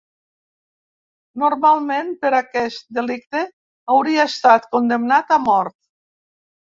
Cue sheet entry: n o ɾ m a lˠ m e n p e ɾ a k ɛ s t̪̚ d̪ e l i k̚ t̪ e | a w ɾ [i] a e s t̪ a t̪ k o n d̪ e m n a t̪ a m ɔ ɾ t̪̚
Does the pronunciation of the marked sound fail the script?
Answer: no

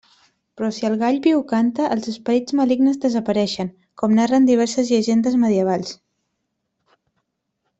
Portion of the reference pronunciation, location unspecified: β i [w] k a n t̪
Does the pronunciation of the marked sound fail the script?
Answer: no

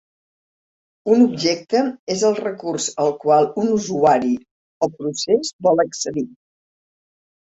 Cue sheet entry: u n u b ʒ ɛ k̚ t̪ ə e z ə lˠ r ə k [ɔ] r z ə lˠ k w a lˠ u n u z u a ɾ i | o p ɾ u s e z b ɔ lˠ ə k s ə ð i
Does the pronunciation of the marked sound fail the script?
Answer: yes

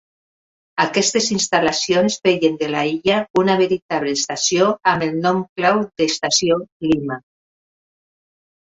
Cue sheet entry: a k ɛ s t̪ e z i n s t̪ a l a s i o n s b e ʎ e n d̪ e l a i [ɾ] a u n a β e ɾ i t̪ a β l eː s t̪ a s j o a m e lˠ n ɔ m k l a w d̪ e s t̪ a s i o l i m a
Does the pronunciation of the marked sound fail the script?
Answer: yes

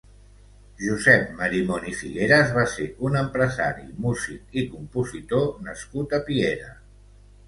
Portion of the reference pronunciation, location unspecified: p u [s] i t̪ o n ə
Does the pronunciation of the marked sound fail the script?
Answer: yes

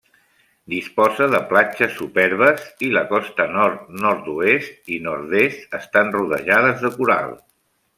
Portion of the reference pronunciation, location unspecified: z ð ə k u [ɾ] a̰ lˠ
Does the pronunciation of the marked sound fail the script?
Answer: no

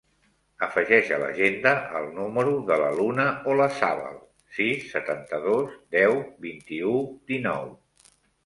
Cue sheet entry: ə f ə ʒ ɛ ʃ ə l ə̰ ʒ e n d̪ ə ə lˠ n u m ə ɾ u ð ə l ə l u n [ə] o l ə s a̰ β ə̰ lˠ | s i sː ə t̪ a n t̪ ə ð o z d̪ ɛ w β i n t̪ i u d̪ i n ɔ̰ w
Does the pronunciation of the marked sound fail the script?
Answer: no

